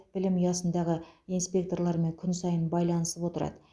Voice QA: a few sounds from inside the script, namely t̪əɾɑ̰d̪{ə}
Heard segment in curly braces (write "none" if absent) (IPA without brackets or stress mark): ə